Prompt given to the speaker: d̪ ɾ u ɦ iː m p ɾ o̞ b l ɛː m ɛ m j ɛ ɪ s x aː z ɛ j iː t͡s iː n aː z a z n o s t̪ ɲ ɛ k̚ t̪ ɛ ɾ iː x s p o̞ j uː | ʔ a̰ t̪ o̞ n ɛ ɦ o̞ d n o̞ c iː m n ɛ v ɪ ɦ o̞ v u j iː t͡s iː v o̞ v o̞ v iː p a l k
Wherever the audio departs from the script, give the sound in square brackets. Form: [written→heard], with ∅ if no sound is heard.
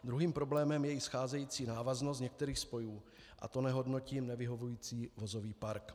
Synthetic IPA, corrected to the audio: d̪ ɾ u ɦ iː m p ɾ o̞ b l ɛː m ɛ m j ɛ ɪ s x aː z ɛ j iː t͡s iː n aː [z→v] a z n o s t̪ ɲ ɛ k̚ t̪ ɛ ɾ iː x s p o̞ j uː | ʔ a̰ t̪ o̞ n ɛ ɦ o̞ d n o̞ c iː m n ɛ v ɪ ɦ o̞ v u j iː t͡s iː v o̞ [v→z] o̞ v iː p a [l→ɾ] k